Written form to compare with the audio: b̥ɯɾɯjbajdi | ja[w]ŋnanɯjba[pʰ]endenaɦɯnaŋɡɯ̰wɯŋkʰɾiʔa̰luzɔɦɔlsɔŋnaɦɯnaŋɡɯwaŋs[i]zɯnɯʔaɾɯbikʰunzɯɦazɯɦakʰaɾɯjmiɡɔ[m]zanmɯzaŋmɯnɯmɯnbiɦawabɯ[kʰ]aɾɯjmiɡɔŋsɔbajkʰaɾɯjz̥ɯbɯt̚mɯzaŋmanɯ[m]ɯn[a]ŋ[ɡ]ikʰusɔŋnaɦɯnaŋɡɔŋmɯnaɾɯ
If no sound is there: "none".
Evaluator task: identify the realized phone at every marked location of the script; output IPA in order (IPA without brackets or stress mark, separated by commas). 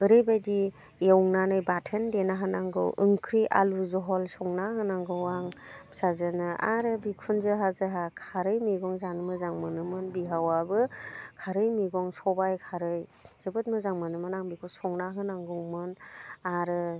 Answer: w, tʰ, a, ŋ, kʰ, m, a, b